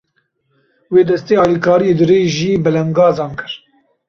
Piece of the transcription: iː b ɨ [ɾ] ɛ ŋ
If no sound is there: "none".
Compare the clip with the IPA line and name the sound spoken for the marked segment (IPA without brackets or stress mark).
l